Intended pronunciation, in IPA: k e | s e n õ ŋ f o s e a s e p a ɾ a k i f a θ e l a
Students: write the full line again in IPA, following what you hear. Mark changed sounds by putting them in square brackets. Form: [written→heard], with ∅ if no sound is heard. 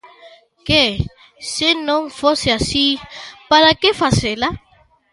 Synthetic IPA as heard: k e | s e n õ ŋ f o s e a s [e→i] p a ɾ a k [i→e] f a [θ→s] e l a